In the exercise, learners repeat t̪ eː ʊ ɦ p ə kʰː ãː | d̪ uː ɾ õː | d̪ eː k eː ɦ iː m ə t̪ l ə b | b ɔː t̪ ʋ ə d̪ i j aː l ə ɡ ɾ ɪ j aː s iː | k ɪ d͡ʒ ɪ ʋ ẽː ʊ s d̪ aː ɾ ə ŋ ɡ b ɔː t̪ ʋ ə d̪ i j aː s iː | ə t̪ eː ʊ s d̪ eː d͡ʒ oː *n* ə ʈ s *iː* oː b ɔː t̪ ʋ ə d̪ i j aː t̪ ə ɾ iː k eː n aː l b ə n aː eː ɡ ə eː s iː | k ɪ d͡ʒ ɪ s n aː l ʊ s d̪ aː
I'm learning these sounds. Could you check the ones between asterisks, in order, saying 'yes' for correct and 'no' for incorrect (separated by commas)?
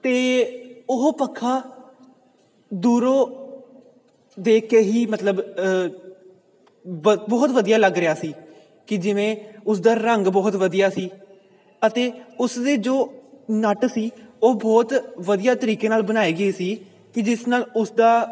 yes, yes